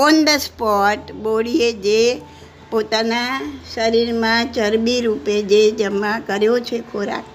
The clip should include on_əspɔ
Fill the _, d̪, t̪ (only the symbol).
d̪